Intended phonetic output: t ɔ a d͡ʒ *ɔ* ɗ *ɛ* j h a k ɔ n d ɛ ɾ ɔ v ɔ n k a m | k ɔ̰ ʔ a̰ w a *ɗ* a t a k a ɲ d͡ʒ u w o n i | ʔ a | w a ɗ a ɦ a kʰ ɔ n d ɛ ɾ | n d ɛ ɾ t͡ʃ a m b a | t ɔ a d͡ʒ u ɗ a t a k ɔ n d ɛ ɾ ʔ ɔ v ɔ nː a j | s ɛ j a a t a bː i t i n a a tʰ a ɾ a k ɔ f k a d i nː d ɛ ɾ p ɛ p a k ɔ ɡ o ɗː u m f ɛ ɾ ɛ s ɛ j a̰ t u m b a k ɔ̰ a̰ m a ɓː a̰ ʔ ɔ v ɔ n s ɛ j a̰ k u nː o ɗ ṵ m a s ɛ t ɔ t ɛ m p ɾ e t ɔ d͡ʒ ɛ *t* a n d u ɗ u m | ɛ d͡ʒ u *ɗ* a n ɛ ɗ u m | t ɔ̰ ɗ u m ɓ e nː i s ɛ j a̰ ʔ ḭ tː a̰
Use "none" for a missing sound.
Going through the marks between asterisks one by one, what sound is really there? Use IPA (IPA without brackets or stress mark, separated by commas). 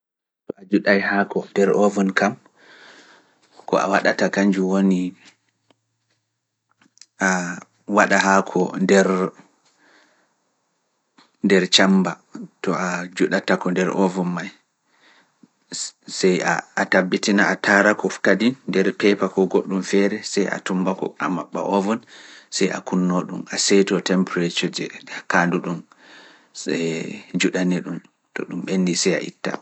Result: u, a, ɗ, k, ɗ